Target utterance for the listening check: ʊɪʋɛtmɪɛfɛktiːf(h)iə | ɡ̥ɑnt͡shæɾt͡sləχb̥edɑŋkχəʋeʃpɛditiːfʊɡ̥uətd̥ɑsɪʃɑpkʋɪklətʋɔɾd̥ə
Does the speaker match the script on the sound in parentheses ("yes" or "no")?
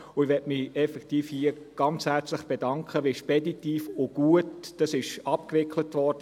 yes